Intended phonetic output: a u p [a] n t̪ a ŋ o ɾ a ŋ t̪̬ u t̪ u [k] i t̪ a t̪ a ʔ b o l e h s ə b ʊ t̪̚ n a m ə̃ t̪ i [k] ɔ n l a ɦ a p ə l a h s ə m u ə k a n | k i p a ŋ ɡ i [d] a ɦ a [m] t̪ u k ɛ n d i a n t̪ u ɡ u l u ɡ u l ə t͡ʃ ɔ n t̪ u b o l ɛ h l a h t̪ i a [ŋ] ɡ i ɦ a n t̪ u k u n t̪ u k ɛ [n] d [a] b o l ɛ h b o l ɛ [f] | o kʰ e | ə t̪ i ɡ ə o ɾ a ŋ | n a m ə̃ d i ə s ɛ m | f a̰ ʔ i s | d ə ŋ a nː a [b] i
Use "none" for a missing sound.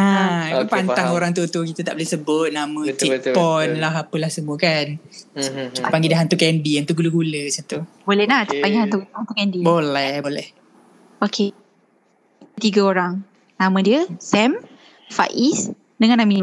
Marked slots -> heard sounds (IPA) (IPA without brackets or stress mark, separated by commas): a, k, p, d, n, ŋ, n, i, h, m